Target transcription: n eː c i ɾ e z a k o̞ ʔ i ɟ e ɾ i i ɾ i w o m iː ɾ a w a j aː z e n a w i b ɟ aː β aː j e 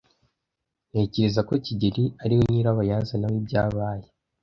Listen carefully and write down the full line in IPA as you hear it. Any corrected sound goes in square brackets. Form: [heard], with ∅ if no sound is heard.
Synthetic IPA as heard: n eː c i ɾ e z a k o̞ [c] i ɟ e ɾ i [a] ɾ i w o [n] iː ɾ a [β] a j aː z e n a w i b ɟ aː β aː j e